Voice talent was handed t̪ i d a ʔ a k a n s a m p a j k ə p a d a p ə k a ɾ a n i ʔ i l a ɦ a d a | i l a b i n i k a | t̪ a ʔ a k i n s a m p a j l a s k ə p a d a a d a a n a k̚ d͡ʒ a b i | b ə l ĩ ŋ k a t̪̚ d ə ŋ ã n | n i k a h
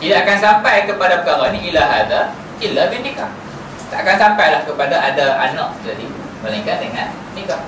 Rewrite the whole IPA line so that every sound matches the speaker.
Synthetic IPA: t̪ i d a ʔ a k a n s a m p a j k ə p a d a p ə k a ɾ a n i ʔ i l a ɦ a d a | i l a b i n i k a | t̪ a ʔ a k a n s a m p a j l a h k ə p a d a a d a a n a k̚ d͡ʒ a d i | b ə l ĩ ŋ k a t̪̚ d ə ŋ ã n | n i k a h